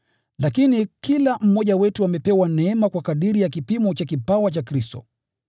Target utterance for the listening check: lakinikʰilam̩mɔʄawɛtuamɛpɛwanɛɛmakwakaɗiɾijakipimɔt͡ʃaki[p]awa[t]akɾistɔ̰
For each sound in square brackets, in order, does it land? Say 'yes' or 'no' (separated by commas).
yes, no